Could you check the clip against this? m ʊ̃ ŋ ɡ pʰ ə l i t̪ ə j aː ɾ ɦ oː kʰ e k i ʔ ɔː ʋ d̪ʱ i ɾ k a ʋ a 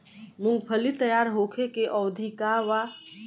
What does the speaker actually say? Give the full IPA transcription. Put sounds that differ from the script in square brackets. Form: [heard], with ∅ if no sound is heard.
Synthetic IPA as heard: m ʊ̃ ŋ ɡ pʰ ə l i t̪ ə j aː ɾ ɦ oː kʰ e k [e] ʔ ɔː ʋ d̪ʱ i [∅] k a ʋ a